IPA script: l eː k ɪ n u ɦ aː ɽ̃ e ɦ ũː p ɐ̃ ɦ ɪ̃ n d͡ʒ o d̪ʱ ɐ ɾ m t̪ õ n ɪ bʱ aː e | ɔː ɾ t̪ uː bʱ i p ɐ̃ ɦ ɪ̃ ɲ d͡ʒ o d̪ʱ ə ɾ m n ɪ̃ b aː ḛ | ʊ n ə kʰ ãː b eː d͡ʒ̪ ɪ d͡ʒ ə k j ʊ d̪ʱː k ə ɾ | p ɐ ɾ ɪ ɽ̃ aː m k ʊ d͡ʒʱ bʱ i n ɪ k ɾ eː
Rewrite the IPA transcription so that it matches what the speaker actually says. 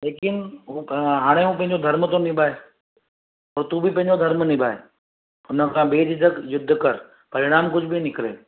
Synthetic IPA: l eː k ɪ n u ɦ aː ɽ̃ e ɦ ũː p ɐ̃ ɦ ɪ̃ ɲ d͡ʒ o d̪ʱ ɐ ɾ m t̪ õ n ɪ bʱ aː e | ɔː ɾ t̪ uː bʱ i p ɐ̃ ɦ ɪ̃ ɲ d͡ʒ o d̪ʱ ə ɾ m n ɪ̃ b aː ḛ | ʊ n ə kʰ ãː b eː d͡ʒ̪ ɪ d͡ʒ ə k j ʊ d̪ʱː k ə ɾ | p ɐ ɾ ɪ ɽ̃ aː m k ʊ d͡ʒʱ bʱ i n ɪ k ɾ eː